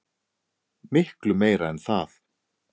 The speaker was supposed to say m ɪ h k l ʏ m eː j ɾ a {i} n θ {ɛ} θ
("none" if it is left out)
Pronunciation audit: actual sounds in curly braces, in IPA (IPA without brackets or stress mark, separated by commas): ɛ, a